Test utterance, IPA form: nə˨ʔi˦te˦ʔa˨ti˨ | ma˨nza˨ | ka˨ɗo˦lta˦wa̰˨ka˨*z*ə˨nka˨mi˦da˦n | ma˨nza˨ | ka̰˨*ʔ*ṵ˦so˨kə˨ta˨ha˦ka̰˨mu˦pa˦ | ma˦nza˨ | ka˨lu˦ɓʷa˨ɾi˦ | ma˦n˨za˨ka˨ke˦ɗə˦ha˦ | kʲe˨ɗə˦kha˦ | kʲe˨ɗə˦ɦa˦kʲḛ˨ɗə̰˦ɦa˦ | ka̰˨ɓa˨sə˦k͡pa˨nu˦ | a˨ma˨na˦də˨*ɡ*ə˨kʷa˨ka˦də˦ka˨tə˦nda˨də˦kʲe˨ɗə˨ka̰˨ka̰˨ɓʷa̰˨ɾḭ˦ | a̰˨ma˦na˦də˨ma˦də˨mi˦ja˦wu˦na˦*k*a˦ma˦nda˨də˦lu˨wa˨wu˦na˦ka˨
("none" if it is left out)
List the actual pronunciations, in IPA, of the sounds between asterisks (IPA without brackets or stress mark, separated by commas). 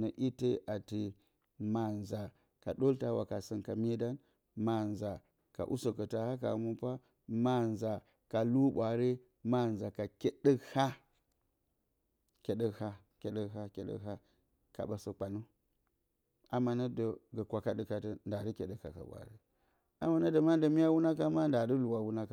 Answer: s, ʔ, ɡ, k